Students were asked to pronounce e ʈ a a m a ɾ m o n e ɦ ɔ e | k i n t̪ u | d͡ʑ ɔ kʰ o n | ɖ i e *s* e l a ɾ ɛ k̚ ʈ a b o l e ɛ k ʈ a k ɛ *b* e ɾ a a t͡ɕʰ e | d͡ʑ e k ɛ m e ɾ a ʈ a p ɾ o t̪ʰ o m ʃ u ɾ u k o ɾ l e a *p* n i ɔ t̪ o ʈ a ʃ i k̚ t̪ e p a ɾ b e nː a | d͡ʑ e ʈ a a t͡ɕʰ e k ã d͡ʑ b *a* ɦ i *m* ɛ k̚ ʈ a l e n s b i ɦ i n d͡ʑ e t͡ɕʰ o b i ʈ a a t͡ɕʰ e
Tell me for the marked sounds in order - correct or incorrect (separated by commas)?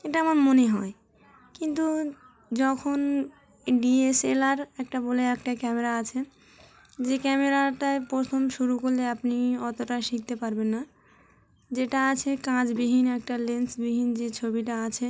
correct, incorrect, correct, incorrect, incorrect